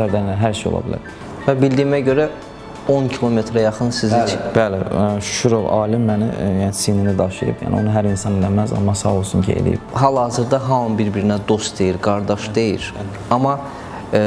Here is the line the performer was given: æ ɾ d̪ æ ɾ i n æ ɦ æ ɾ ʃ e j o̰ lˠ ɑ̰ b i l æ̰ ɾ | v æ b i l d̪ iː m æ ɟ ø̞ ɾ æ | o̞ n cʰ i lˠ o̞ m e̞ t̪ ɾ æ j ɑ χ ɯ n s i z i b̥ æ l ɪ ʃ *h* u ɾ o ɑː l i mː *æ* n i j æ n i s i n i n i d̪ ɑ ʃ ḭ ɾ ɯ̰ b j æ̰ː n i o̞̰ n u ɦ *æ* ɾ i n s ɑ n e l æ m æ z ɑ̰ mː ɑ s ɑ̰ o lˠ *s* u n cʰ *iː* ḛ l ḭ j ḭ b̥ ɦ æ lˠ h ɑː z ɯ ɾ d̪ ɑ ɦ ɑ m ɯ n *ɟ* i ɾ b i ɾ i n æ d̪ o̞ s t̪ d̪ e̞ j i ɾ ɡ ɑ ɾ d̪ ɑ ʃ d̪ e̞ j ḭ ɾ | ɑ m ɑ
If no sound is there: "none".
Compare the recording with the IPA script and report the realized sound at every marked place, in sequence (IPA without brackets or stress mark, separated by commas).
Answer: ʃ, æ, æ, s, i, b